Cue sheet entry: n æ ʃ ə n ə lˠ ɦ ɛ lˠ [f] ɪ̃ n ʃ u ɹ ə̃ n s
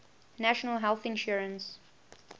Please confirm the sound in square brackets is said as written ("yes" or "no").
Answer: no